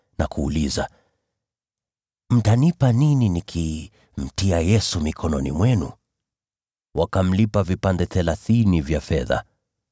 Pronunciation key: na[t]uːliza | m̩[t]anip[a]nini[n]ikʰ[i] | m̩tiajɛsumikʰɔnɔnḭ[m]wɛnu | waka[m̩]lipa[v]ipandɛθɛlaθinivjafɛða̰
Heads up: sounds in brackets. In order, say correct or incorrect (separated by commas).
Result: incorrect, correct, correct, correct, correct, correct, correct, correct